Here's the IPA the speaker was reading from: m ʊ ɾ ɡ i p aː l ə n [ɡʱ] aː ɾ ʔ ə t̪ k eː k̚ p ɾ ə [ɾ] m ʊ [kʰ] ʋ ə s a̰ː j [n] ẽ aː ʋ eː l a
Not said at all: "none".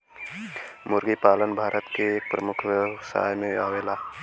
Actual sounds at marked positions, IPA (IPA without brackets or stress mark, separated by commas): bʱ, none, kʰ, m